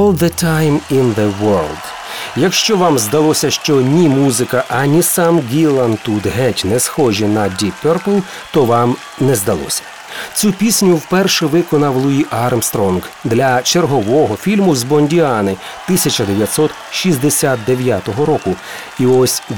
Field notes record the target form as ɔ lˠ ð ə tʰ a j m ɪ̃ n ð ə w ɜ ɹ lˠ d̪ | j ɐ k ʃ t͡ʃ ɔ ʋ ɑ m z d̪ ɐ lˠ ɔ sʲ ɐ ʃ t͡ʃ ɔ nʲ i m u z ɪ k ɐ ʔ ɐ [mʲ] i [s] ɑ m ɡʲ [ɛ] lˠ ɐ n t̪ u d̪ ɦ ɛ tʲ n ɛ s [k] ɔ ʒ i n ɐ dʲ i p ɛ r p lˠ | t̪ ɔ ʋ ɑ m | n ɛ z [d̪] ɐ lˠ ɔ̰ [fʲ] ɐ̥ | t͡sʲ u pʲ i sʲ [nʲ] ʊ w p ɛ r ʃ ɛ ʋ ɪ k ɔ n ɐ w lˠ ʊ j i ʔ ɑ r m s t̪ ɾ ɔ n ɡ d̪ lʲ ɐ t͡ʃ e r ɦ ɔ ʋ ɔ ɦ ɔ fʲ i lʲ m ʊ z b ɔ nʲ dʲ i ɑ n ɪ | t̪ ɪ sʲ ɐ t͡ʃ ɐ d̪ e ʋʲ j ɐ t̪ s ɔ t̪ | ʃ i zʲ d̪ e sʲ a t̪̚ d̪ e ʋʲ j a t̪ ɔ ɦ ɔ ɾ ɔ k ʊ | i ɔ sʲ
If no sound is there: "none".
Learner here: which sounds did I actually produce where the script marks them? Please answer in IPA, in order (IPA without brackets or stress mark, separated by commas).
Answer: nʲ, s, i, x, d̪, sʲ, nʲ